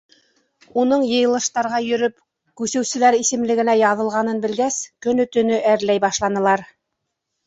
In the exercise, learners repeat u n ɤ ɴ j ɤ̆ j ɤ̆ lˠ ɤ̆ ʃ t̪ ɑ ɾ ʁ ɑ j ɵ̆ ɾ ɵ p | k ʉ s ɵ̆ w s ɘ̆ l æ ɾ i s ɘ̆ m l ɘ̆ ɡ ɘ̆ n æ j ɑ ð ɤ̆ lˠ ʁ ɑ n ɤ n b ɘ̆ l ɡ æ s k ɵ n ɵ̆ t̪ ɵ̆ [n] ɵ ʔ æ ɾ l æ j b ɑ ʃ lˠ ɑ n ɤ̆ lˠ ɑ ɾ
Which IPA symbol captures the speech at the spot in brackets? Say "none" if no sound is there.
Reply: n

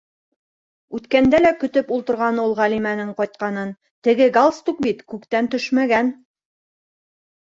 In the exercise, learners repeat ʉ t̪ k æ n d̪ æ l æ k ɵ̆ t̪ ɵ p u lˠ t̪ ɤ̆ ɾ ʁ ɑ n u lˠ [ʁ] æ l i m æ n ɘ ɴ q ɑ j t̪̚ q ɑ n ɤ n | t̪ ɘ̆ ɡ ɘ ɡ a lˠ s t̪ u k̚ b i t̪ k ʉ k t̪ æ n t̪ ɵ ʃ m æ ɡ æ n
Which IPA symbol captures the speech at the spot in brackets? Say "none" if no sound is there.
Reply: ʁ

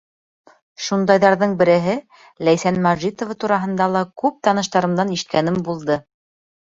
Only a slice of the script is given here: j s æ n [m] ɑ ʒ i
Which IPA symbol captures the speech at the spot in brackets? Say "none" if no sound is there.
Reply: m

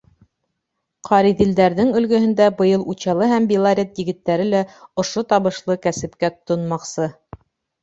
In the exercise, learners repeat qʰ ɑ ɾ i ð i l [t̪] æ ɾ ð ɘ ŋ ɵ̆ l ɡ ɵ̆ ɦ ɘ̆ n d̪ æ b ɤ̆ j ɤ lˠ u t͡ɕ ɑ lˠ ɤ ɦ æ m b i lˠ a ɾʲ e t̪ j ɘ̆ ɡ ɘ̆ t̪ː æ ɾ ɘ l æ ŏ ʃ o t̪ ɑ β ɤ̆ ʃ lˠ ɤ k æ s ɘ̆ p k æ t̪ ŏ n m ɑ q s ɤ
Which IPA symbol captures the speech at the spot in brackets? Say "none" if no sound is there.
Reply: d̪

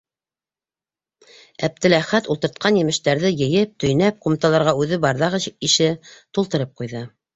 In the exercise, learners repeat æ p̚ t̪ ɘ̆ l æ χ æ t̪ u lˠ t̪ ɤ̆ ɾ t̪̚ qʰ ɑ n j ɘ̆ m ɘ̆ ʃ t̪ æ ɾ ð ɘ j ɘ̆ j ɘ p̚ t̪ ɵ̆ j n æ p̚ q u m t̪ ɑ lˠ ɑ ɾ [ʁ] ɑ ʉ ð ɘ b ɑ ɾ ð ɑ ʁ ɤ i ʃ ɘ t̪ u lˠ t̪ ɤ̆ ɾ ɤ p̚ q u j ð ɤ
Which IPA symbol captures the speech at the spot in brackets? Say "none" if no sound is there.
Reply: ʁ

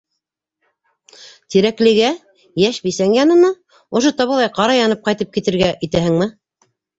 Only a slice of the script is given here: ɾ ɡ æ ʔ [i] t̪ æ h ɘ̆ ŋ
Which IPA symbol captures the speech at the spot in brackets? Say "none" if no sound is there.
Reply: i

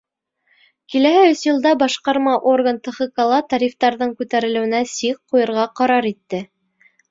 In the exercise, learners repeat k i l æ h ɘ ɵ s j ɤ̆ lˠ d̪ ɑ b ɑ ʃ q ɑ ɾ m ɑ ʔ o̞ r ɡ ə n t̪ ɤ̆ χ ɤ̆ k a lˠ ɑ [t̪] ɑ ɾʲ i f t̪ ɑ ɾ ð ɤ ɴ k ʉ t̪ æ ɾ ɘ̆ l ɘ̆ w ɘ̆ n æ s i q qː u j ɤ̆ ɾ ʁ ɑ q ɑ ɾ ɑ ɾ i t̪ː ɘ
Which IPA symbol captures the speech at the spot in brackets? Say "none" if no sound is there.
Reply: t̪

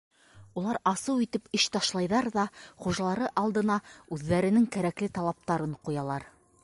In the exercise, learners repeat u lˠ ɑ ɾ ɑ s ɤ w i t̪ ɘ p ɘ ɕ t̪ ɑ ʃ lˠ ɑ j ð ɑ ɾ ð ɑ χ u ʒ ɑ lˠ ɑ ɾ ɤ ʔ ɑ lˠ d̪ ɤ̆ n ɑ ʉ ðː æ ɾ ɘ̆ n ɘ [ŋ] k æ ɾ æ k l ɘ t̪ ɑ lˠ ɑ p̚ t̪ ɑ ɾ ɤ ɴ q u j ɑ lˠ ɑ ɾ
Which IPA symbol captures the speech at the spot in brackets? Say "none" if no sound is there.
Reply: ŋ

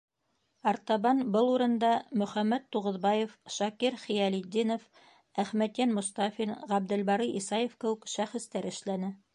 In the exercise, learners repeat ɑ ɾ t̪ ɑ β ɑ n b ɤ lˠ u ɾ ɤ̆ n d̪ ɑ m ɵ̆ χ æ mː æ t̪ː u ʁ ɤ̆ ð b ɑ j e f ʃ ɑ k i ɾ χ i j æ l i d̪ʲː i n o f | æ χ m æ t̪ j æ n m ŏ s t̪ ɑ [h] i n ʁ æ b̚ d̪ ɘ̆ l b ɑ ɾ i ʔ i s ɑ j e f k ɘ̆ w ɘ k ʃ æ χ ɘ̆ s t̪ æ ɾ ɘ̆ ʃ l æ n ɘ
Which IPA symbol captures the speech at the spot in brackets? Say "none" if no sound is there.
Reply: f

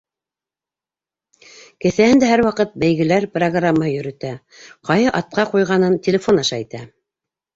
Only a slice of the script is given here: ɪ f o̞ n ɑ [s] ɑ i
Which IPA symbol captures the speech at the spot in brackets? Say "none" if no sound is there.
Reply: ʃ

